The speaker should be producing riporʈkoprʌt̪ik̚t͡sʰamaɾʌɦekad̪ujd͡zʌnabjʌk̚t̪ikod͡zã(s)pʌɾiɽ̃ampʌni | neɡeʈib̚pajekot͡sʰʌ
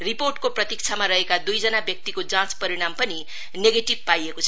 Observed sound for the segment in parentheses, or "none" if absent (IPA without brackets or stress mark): t͡s